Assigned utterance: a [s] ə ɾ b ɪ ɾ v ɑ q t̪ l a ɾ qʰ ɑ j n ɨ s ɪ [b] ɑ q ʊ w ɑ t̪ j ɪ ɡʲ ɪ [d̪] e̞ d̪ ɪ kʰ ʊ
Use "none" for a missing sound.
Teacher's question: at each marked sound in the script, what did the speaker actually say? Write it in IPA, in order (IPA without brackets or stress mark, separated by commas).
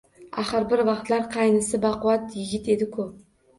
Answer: χ, b, t̪